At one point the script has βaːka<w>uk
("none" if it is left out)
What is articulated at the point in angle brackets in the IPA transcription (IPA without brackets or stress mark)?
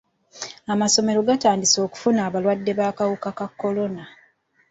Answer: w